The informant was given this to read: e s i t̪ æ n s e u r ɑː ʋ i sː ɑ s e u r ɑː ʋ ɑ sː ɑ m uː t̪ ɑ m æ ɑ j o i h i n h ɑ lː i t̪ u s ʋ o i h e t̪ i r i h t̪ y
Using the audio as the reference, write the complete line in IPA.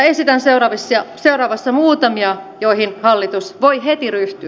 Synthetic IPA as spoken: e s i t̪ æ n s e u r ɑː ʋ i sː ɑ s e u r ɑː ʋ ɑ sː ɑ m uː t̪ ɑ m i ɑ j o i h i n h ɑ lː i t̪ u s ʋ o i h e t̪ i r y h t̪ y